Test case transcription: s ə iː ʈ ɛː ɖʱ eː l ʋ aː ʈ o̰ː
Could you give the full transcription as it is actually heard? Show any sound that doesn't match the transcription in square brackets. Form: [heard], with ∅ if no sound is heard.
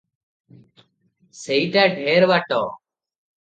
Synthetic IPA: s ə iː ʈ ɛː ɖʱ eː [ɾ] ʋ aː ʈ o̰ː